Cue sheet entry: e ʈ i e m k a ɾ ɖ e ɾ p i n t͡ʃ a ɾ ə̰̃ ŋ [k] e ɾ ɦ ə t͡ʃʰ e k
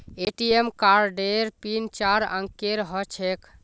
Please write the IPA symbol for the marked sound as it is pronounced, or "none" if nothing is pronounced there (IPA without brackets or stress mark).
k